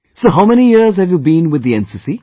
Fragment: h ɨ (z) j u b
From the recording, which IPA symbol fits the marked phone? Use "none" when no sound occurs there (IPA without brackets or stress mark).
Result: v